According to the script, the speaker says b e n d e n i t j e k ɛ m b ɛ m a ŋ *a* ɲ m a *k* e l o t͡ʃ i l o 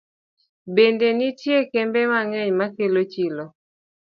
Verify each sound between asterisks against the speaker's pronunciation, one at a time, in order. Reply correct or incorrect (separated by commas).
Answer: incorrect, correct